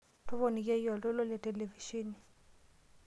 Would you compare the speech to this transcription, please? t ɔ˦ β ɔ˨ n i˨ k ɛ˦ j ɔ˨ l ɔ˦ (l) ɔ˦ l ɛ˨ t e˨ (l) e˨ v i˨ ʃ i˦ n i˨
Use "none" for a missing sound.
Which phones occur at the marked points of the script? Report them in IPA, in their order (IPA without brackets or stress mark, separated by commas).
l, l